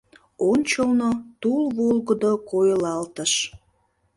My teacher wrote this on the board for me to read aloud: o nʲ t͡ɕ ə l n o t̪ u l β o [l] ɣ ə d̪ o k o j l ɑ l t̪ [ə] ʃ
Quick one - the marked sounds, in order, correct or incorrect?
correct, correct

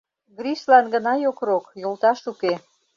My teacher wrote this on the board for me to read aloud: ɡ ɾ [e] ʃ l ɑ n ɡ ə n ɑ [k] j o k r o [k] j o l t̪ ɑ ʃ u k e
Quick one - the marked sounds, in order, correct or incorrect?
incorrect: i, incorrect: none, correct

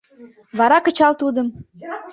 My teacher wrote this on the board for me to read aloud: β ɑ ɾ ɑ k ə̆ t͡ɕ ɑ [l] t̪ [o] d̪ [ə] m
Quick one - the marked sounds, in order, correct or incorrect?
correct, incorrect: u, correct

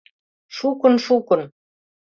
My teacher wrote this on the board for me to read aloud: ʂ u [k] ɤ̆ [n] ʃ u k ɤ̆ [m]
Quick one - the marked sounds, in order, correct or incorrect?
correct, correct, incorrect: n

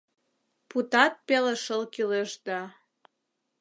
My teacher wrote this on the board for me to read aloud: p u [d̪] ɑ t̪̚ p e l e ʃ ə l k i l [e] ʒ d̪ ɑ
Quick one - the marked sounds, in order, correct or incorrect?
incorrect: t̪, correct

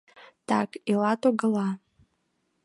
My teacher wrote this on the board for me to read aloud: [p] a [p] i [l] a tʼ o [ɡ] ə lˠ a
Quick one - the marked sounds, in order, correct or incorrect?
incorrect: t, incorrect: k, correct, correct

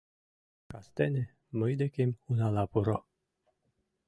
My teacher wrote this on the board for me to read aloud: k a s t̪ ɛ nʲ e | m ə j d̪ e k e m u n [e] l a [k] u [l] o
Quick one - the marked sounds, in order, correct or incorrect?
incorrect: a, incorrect: p, incorrect: ɾ

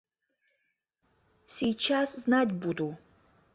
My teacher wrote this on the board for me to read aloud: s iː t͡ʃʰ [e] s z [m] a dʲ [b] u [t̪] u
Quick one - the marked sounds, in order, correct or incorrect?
incorrect: a, incorrect: n, correct, incorrect: d̪

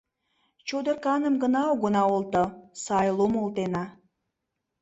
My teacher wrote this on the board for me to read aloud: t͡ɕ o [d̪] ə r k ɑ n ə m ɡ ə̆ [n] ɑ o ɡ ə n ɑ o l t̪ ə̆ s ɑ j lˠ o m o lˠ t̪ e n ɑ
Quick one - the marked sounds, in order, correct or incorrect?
correct, correct

